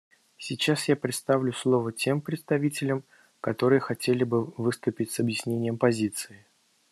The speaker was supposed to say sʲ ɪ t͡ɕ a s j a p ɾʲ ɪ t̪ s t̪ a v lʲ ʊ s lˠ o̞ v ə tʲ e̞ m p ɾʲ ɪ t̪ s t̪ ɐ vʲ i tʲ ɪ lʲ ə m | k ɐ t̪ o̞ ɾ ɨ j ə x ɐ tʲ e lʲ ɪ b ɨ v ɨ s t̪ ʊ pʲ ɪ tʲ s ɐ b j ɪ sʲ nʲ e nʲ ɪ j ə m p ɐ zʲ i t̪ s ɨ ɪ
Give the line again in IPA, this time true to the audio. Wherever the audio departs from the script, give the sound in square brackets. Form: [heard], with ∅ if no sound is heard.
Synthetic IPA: sʲ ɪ t͡ɕ a s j a p ɾʲ ɪ t̪ s t̪ a v lʲ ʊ s lˠ o̞ v ə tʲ e̞ m p ɾʲ ɪ t̪ s t̪ ɐ vʲ i tʲ ɪ lʲ ə m | k ɐ t̪ o̞ ɾ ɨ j ə x ɐ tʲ e lʲ ɪ b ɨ v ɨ s t̪ ʊ pʲ ɪ tʲ s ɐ b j ɪ sʲ nʲ e nʲ ɪ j ə m p ɐ zʲ i t̪ s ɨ ɪ

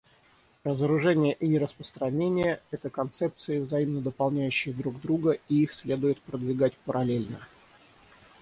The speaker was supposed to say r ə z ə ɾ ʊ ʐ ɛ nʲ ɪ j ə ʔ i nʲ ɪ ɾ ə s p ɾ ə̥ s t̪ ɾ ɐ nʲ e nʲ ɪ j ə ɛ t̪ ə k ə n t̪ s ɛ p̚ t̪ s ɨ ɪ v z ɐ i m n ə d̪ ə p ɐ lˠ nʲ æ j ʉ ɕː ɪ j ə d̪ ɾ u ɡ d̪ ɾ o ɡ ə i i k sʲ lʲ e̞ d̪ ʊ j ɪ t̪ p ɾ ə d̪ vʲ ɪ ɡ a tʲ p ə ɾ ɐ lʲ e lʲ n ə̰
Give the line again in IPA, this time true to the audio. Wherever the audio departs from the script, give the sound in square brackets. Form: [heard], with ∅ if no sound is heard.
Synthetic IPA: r ə z ə ɾ ʊ ʐ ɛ nʲ ɪ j ə ʔ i nʲ ɪ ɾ ə s p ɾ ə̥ s t̪ ɾ ɐ nʲ e nʲ ɪ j ə ɛ t̪ ə k [ɐ] n t̪ s ɛ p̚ t̪ s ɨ ɪ v z ɐ i m n ə d̪ ə p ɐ lˠ nʲ æ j ʉ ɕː ɪ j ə d̪ ɾ u ɡ d̪ ɾ [u] ɡ ə i i [x] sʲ lʲ e̞ d̪ ʊ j ɪ t̪ p ɾ ə d̪ vʲ ɪ ɡ a tʲ p ə ɾ ɐ lʲ e lʲ n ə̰

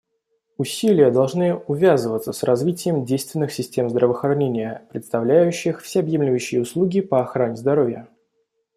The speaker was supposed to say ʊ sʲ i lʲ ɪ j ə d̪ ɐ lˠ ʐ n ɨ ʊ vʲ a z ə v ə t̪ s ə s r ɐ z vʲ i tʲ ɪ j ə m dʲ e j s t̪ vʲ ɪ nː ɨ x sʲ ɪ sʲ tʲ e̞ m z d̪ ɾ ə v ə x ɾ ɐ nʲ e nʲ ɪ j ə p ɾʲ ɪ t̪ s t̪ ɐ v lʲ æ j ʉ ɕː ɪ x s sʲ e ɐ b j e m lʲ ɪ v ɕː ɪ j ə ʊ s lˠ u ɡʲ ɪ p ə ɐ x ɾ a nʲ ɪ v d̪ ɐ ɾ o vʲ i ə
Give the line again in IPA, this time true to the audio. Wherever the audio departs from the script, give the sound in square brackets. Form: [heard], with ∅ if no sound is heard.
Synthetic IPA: ʊ sʲ i lʲ ɪ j ə d̪ ɐ lˠ ʐ n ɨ ʊ vʲ a z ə v ə t̪ s ə s r ɐ z vʲ i tʲ ɪ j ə m dʲ e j s t̪ vʲ ɪ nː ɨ x sʲ ɪ sʲ tʲ e̞ m z d̪ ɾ ə v ə x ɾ ɐ nʲ e nʲ ɪ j ə p ɾʲ ɪ t̪ s t̪ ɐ v lʲ æ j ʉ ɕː ɪ x [f] sʲ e ɐ b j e m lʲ ɪ v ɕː ɪ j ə ʊ s lˠ u ɡʲ ɪ p ə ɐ x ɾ a nʲ ɪ [z] d̪ ɐ ɾ o vʲ [j] ə

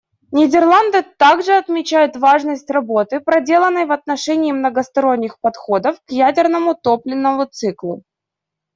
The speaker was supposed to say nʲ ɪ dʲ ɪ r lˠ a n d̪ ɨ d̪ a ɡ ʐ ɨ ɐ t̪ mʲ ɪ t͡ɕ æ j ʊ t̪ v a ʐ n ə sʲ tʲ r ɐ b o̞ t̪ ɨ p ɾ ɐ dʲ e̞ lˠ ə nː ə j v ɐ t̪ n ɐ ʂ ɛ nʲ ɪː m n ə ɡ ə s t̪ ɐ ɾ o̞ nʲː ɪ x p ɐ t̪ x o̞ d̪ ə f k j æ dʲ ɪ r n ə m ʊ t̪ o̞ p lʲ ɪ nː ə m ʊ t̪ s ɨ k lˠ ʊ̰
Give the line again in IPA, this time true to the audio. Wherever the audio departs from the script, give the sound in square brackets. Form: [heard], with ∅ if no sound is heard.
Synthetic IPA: nʲ ɪ dʲ ɪ r lˠ a n d̪ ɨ [t̪] a ɡ ʐ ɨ ɐ t̪ mʲ ɪ t͡ɕ æ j ʊ t̪ v a ʐ n ə sʲ tʲ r ɐ b o̞ t̪ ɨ p ɾ ɐ dʲ e̞ lˠ ə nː ə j v ɐ t̪ n ɐ ʂ ɛ nʲ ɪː m n ə ɡ ə s t̪ ɐ ɾ o̞ nʲː ɪ x p ɐ t̪ x o̞ d̪ ə f k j æ dʲ ɪ r n ə m ʊ t̪ o̞ p lʲ ɪ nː ə m ʊ t̪ s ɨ k lˠ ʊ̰

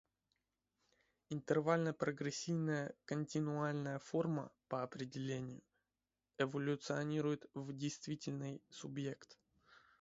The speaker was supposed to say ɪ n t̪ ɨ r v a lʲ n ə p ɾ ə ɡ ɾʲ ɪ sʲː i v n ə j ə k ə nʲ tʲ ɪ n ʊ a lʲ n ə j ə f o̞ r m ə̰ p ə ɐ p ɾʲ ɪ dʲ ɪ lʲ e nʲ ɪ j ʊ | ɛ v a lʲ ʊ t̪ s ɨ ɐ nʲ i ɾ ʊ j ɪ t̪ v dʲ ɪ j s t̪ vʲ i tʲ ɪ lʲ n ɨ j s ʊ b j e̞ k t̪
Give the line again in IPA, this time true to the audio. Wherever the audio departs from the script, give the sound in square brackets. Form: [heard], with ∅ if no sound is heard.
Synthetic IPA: ɪ n t̪ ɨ r v a lʲ n ə p ɾ ə ɡ ɾʲ ɪ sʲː i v n ə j ə k ə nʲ tʲ ɪ n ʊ a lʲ n ə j ə f o̞ r m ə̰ p ə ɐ p ɾʲ ɪ dʲ ɪ lʲ e nʲ ɪ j ʊ | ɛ v [ə] lʲ ʊ t̪ s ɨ ɐ nʲ i ɾ ʊ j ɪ t̪ v dʲ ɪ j s t̪ vʲ i tʲ ɪ lʲ n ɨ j s ʊ b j e̞ k t̪

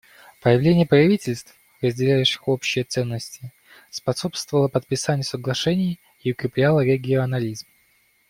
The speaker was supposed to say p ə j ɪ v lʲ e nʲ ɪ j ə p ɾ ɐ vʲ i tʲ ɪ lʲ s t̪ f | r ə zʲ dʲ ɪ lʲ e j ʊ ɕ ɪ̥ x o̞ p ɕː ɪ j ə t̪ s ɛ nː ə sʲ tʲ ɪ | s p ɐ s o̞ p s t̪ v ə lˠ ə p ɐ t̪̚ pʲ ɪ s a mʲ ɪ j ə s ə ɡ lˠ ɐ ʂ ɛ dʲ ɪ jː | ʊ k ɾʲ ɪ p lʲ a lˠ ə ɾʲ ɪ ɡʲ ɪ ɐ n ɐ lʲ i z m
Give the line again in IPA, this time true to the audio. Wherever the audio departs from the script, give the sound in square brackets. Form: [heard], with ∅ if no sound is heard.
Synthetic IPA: p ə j ɪ v lʲ e nʲ ɪ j ə p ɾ ɐ vʲ i tʲ ɪ lʲ s t̪ f | r ə zʲ dʲ ɪ lʲ [æ] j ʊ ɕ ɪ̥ x o̞ p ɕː ɪ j ə t̪ s ɛ nː ə sʲ tʲ ɪ | s p ɐ s o̞ p s t̪ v ə lˠ ə p [ə] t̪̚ pʲ ɪ s a [nʲ] ɪ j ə s ə ɡ lˠ ɐ ʂ ɛ [nʲ] ɪ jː | ʊ k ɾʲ ɪ p lʲ a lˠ ə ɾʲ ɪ ɡʲ ɪ ɐ n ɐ lʲ i z m

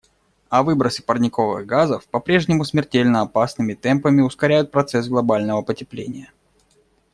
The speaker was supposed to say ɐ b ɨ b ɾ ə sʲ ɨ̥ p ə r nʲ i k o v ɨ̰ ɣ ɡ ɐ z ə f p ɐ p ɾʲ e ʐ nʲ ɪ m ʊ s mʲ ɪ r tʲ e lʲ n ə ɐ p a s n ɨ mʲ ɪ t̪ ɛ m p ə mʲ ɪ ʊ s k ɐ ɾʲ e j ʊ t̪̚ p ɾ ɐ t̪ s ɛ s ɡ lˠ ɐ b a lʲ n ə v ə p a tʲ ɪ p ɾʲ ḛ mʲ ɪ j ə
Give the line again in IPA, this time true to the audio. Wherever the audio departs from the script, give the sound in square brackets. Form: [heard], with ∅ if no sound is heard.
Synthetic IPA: ɐ [v] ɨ b ɾ ə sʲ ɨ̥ p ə r nʲ [ɪ] k o v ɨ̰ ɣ ɡ [a] z ə f p ɐ p ɾʲ e ʐ nʲ ɪ m ʊ s mʲ ɪ r tʲ e lʲ n ə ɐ p a s n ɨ mʲ ɪ t̪ ɛ m p ə mʲ ɪ ʊ s k ɐ ɾʲ [æ] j ʊ t̪̚ p ɾ ɐ t̪ s ɛ s ɡ lˠ ɐ b a lʲ n ə v ə p [ə] tʲ ɪ p [lʲ] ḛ [nʲ] ɪ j ə

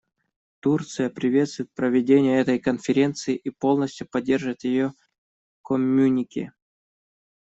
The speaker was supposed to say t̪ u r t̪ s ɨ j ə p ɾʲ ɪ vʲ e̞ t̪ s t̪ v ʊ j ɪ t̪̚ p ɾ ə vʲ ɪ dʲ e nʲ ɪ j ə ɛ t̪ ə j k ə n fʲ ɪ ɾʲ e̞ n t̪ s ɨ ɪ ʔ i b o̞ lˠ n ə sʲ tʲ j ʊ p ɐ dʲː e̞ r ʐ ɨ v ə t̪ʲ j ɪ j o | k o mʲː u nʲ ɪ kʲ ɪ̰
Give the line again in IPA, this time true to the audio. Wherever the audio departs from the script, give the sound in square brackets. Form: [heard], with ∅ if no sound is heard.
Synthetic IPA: t̪ u r t̪ s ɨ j ə p ɾʲ ɪ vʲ e̞ t̪ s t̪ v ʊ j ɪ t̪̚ p ɾ ə vʲ ɪ dʲ e nʲ ɪ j ə ɛ t̪ ə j k ə n fʲ ɪ ɾʲ e̞ n t̪ s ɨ ɪ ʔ i [p] o̞ lˠ n ə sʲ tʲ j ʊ p ɐ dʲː e̞ r ʐ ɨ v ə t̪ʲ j ɪ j o | k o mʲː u nʲ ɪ kʲ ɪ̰

